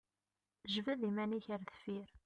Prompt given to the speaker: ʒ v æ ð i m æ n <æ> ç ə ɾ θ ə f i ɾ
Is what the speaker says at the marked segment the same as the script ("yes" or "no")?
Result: no